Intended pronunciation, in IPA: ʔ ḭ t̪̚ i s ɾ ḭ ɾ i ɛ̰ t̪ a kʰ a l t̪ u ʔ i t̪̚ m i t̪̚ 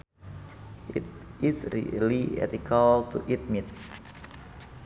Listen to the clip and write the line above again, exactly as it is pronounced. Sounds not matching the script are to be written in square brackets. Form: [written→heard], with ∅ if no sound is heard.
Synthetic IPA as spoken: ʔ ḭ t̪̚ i s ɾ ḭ [ɾ→l] i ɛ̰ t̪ [a→i] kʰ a l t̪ u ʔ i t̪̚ m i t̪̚